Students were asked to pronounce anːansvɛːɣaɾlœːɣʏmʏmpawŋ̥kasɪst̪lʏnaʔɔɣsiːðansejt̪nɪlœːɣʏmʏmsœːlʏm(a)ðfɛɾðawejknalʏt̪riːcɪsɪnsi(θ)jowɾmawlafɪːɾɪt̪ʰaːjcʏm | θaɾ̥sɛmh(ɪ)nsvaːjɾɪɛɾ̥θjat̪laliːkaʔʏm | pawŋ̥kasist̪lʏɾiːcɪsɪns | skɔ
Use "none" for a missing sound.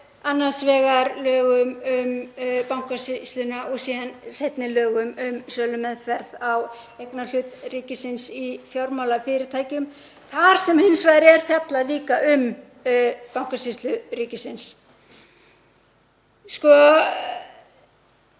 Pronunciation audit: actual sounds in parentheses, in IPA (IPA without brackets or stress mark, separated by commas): ɛ, f, ɪ